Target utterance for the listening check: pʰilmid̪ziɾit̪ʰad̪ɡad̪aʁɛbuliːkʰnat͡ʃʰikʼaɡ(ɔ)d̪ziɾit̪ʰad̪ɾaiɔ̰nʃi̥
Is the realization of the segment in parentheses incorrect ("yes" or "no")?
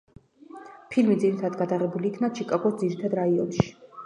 no